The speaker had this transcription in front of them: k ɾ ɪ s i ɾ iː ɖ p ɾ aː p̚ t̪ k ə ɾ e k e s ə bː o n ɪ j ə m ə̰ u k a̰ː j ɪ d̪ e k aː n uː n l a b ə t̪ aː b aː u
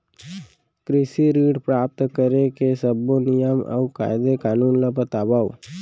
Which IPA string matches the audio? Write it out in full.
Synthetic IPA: k ɾ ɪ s i ɾ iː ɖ p ɾ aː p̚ t̪ k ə ɾ e k e s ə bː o n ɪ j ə m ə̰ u k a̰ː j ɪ d̪ e k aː n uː n l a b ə t̪ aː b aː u